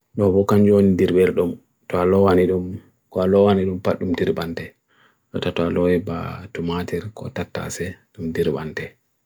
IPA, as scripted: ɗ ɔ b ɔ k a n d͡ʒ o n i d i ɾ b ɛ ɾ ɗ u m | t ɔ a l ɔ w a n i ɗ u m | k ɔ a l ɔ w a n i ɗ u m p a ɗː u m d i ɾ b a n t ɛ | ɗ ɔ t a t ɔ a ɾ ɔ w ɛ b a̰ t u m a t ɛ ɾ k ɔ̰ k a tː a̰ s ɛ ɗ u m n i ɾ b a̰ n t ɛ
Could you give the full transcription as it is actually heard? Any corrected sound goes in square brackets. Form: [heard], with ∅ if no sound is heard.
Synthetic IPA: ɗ ɔ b ɔ k a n d͡ʒ o n i d i ɾ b ɛ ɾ ɗ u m | t ɔ a l ɔ w a n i ɗ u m | k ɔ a l ɔ w a n i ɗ u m p a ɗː u m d i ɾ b a n t ɛ | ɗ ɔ t a t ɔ a [l] ɔ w ɛ b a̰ t u m a t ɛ ɾ k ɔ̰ [t] a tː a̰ s ɛ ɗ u m [d] i ɾ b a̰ n t ɛ